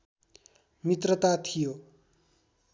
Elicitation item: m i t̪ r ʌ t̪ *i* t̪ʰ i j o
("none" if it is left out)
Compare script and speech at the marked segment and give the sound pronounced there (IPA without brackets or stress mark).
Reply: a